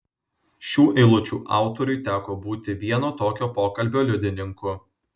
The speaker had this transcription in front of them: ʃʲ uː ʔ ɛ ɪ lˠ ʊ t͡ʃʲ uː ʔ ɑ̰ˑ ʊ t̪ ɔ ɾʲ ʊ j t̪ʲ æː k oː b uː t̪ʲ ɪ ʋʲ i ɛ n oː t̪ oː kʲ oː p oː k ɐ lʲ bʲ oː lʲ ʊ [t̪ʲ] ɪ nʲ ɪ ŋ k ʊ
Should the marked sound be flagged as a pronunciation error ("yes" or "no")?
yes